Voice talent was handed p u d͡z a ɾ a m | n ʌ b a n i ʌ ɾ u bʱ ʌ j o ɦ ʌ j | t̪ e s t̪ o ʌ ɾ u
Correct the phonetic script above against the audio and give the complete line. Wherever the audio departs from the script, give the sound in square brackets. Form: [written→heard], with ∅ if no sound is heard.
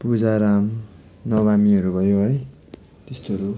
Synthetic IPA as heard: p u d͡z a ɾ a m | n ʌ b a [n→m] i ʌ ɾ u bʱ ʌ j o ɦ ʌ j | t̪ e s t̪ o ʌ ɾ u